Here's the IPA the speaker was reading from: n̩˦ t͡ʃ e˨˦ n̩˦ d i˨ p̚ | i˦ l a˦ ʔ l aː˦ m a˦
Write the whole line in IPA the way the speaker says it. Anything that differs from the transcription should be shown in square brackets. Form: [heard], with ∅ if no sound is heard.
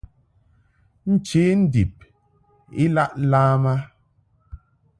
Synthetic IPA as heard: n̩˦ t͡ʃ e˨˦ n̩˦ d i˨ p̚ | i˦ l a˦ ʔ l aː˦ m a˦